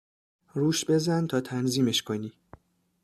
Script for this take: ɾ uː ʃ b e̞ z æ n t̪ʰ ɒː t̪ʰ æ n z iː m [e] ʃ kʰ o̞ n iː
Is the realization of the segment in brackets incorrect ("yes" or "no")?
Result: no